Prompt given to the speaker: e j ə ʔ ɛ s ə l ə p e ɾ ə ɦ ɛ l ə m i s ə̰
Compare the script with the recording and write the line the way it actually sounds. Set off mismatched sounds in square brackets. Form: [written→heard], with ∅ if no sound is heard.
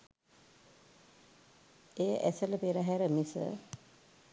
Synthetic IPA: e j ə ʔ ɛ s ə l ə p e ɾ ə ɦ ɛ [l→ɾ] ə m i s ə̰